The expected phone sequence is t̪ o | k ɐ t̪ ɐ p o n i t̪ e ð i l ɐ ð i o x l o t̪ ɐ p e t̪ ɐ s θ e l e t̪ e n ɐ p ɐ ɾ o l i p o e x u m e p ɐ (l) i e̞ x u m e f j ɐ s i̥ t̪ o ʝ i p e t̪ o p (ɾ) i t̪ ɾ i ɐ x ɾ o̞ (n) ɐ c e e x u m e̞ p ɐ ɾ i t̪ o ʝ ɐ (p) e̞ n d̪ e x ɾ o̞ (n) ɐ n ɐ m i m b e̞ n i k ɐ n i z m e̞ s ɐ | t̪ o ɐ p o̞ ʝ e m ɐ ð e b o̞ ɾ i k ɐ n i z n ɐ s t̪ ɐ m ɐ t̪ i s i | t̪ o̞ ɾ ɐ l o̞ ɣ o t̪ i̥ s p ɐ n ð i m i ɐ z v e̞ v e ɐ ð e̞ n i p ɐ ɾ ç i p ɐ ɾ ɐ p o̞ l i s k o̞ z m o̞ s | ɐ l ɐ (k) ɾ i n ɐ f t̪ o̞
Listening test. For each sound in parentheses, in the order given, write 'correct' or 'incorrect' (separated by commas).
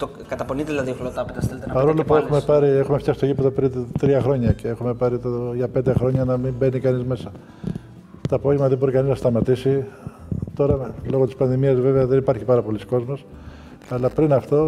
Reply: incorrect, correct, incorrect, correct, incorrect, incorrect